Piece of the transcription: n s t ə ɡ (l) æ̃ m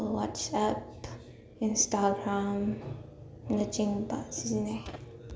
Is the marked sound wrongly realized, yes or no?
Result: yes